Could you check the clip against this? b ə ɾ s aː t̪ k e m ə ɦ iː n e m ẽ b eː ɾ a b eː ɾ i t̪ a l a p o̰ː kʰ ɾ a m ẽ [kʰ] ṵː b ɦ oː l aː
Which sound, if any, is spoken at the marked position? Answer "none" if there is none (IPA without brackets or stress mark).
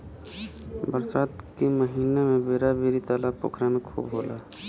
kʰ